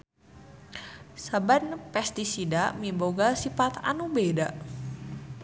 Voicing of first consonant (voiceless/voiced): voiceless